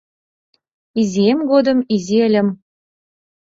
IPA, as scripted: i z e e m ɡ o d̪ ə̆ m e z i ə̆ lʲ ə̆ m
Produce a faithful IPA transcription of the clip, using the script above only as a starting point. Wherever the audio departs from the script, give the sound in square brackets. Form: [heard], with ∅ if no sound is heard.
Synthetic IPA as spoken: i z [i] e m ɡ o d̪ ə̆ m [i] z i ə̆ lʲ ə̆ m